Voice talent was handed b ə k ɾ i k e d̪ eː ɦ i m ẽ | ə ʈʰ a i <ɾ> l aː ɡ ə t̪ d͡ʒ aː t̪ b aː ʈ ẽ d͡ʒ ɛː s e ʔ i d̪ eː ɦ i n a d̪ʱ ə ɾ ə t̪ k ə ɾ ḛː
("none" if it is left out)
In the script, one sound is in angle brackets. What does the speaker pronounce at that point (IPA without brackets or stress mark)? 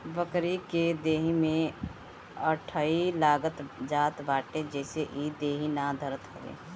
none